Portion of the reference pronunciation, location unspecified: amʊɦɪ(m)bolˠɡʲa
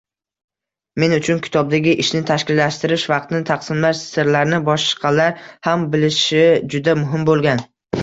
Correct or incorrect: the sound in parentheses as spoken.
correct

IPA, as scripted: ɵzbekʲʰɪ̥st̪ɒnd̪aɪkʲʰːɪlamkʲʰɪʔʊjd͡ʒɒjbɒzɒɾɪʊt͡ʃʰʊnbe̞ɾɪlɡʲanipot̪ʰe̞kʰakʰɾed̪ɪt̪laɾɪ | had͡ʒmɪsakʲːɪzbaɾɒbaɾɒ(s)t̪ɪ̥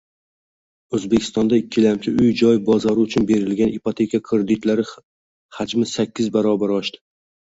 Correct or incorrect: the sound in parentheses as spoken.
incorrect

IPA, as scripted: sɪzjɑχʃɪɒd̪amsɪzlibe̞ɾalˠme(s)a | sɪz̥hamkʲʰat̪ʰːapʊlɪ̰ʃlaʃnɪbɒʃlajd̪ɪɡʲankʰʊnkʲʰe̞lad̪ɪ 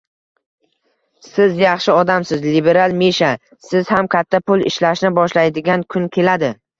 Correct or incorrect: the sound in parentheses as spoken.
incorrect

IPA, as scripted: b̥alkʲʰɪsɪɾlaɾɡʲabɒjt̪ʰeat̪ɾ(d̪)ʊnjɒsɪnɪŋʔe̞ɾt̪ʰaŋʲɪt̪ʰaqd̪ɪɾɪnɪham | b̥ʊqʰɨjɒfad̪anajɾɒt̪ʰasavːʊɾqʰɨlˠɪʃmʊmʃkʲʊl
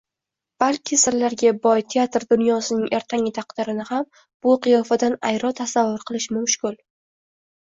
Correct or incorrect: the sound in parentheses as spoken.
correct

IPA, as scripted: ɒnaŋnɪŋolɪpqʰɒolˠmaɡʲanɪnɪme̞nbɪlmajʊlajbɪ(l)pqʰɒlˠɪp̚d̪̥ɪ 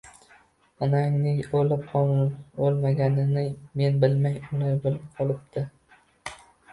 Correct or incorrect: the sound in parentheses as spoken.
correct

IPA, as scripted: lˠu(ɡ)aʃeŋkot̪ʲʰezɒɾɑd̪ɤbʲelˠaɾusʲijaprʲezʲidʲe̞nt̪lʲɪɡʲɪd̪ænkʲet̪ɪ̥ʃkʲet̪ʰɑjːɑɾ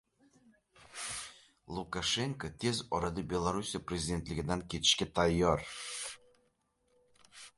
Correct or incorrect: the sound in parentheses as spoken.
incorrect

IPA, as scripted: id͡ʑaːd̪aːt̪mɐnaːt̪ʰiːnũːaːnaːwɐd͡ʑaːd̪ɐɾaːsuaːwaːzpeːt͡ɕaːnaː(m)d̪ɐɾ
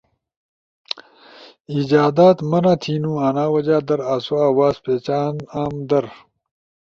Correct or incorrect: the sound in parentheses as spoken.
correct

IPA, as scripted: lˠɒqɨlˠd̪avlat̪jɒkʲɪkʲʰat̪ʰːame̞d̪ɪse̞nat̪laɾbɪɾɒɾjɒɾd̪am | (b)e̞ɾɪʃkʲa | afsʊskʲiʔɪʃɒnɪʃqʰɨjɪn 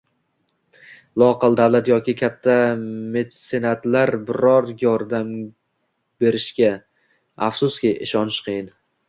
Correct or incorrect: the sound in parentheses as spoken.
correct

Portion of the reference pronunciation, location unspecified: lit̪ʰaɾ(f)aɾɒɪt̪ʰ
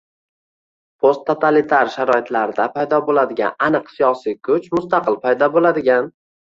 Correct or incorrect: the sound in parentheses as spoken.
incorrect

